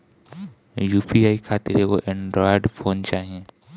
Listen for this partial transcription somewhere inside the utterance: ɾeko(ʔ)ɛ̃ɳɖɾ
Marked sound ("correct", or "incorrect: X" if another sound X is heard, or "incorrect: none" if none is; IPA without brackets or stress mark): correct